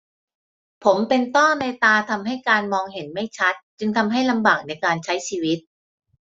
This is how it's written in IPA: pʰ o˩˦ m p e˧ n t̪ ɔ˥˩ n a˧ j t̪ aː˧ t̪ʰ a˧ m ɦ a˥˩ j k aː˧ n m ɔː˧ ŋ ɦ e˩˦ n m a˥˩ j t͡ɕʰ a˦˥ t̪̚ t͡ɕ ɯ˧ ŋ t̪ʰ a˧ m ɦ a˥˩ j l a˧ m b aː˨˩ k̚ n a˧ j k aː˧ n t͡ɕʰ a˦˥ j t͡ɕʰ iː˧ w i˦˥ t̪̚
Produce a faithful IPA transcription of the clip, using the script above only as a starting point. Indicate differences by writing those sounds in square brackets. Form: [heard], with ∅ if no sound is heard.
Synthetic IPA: pʰ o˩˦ m p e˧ n t̪ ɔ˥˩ n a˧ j t̪ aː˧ t̪ʰ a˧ m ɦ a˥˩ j k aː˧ n m ɔː˧ ŋ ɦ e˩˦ n m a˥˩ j t͡ɕʰ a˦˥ t̪̚ t͡ɕ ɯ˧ ŋ t̪ʰ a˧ m ɦ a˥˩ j l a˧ m b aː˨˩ k̚ n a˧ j k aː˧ n t͡ɕʰ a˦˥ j t͡ɕʰ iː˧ w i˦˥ t̪̚